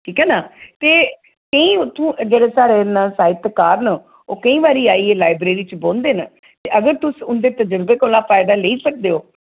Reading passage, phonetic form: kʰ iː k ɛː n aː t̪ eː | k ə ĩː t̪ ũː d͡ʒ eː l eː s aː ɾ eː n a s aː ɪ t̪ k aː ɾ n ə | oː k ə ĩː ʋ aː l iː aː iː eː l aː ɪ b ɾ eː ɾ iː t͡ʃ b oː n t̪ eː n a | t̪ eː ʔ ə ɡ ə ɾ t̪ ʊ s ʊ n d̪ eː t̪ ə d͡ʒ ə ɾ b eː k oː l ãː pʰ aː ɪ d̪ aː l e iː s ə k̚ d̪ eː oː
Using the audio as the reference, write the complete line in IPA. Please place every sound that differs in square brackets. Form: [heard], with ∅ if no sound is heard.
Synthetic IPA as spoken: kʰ iː k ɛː n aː t̪ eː | k ə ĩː t̪ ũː d͡ʒ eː [ɽ] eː s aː ɾ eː n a s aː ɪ t̪ k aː ɾ n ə | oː k ə ĩː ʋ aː [ɾ] iː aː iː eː l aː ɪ b ɾ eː ɾ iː t͡ʃ b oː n [d̪] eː n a | t̪ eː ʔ ə ɡ ə ɾ t̪ ʊ s ʊ n d̪ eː t̪ ə d͡ʒ ə ɾ b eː k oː l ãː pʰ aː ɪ d̪ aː l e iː s ə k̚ d̪ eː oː